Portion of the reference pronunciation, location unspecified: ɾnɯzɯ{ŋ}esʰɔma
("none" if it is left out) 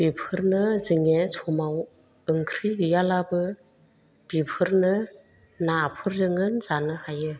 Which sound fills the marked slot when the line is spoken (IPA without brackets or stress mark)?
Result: ŋ